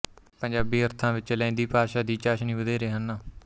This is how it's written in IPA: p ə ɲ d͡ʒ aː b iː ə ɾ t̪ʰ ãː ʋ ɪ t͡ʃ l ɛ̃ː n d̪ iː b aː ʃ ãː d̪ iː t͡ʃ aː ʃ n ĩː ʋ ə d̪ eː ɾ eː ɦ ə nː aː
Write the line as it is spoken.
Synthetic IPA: p ə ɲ d͡ʒ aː b iː ə ɾ t̪ʰ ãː ʋ ɪ t͡ʃ l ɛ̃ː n d̪ iː p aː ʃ aː d̪ iː t͡ʃ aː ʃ n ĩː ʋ ə d̪ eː ɾ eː ɦ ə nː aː